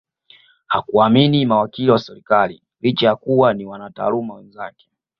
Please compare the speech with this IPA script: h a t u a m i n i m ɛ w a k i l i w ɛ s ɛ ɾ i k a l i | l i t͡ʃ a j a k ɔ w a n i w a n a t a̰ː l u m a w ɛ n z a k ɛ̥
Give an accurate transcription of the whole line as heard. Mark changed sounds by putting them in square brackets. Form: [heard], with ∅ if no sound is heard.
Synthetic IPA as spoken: h a [k] u a m i n i m [a] w a k i l i w [a] s ɛ ɾ i k a l i | l i t͡ʃ a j a k [u] w a n i w a n a t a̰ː l u m a w ɛ n z a k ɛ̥